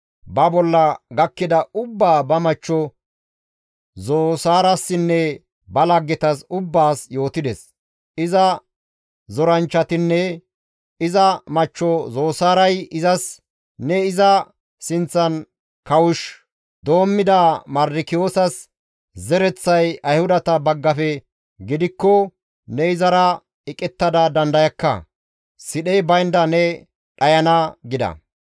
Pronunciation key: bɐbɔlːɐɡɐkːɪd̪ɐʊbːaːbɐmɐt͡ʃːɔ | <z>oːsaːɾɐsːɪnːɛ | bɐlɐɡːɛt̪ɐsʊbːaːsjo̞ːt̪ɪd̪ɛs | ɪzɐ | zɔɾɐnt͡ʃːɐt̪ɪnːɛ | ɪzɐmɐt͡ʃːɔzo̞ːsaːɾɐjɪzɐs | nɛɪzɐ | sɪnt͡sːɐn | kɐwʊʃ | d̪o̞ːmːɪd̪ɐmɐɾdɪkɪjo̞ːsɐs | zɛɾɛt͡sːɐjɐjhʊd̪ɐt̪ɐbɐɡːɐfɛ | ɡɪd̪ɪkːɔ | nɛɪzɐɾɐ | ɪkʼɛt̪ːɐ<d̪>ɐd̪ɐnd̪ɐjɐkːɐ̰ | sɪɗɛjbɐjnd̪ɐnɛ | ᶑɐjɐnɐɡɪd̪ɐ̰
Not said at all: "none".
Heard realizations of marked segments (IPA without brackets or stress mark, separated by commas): z, d̪